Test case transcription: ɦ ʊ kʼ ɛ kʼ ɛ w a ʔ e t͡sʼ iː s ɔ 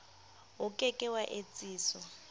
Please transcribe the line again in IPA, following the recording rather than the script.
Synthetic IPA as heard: ɦ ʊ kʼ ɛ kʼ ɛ w a ʔ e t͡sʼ iː s ɔ